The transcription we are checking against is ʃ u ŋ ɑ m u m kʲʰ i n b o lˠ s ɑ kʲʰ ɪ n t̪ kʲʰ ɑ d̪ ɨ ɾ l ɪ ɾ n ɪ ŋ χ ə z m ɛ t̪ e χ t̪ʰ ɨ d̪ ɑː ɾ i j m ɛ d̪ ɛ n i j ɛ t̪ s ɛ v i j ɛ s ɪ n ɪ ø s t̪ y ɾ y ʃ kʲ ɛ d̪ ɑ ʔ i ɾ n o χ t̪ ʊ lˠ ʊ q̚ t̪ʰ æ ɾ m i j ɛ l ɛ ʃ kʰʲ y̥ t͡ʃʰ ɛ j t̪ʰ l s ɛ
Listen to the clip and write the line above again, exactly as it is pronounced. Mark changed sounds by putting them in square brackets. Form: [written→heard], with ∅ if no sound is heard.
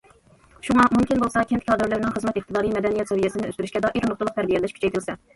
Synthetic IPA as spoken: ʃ u ŋ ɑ m u m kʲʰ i n b o lˠ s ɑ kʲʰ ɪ n t̪ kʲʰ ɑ d̪ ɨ ɾ l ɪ ɾ n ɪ ŋ χ ə z m ɛ t̪ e χ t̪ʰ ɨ d̪ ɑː ɾ i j m ɛ d̪ ɛ n i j ɛ t̪ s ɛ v i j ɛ s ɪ n ɪ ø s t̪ y ɾ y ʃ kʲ ɛ d̪ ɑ ʔ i ɾ n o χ t̪ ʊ lˠ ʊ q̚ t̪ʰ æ ɾ [m→b] i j ɛ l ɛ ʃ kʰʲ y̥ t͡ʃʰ ɛ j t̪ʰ l s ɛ